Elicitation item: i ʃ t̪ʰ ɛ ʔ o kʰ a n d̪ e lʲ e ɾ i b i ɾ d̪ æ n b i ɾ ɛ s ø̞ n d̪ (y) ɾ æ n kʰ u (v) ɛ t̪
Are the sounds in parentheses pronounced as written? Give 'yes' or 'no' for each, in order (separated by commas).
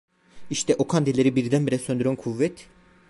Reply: yes, no